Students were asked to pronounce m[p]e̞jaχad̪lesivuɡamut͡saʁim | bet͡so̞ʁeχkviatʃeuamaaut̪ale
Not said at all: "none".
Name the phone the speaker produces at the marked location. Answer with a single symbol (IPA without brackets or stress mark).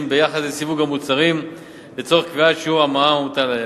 b